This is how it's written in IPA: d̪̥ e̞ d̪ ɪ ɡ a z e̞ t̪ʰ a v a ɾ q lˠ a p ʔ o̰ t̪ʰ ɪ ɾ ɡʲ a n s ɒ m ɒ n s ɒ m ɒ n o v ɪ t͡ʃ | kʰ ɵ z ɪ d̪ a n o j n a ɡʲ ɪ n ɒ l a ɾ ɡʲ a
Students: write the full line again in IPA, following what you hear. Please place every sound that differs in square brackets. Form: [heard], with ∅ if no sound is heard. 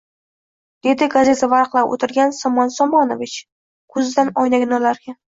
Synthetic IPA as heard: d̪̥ e̞ d̪ ɪ ɡ a z e̞ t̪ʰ a v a ɾ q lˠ a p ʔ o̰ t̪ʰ ɪ ɾ ɡʲ a n s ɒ m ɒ n s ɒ m ɒ n o v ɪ t͡ʃ | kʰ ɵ z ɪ d̪ a n [ɒ] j n a ɡʲ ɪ n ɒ l a ɾ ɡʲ a